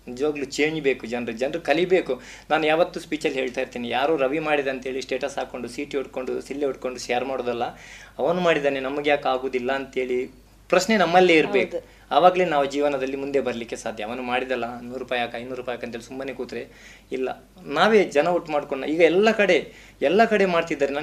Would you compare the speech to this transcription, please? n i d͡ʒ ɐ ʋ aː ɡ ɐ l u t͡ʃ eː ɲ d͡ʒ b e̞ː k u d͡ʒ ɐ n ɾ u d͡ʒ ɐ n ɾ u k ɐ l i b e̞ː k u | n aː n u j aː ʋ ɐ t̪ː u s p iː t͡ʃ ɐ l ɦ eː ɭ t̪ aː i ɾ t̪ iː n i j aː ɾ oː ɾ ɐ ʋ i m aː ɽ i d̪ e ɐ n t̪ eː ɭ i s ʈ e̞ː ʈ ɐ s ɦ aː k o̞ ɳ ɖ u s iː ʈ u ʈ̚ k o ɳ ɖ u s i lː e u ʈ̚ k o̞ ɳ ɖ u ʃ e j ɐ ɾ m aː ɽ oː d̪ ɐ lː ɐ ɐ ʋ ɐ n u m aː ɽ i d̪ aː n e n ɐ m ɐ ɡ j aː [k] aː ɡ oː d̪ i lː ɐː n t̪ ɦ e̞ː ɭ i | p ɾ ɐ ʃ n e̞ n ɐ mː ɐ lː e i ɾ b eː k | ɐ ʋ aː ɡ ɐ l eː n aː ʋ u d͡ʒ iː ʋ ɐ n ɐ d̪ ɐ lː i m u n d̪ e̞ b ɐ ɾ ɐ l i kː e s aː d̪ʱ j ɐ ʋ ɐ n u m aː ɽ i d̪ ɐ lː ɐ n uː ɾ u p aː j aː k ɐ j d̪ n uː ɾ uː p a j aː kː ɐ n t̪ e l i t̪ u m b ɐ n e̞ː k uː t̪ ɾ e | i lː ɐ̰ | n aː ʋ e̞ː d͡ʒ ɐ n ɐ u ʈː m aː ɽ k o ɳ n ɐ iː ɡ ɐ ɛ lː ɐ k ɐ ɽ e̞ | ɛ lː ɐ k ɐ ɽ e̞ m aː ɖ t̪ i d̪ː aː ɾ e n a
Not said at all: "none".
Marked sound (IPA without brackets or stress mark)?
k